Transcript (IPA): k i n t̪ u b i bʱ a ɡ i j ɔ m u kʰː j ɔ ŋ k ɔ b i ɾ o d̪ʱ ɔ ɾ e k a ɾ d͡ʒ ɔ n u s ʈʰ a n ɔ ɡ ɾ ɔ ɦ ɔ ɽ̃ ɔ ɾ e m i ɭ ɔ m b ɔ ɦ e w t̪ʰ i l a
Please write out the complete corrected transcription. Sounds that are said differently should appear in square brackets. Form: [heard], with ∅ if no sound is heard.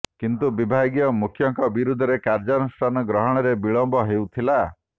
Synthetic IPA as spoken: k i n t̪ u b i bʱ a ɡ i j ɔ m u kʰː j ɔ ŋ k ɔ b i ɾ [u] d̪ʱ ɔ ɾ e k a ɾ d͡ʒ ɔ n u s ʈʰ a n ɔ ɡ ɾ ɔ ɦ ɔ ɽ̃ ɔ ɾ e [b] i ɭ ɔ m b ɔ ɦ e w t̪ʰ i l a